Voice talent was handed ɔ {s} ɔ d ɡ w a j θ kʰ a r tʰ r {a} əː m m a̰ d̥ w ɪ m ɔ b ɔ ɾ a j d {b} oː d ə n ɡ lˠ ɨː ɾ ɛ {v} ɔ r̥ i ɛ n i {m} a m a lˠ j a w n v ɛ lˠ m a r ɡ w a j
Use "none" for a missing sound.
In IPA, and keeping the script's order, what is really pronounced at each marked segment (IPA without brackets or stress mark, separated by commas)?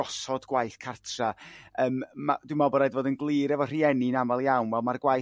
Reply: s, a, v, v, n